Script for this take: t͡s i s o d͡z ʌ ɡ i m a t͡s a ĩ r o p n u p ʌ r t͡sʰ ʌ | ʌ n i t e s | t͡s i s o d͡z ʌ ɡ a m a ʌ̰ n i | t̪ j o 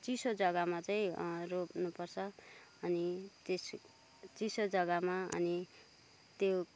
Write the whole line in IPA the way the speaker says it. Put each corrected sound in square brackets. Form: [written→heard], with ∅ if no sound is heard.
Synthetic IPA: t͡s i s o d͡z ʌ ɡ [i→a] m a t͡s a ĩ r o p n u p ʌ r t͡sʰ ʌ | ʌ n i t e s | t͡s i s o d͡z ʌ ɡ a m a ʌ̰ n i | t̪ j o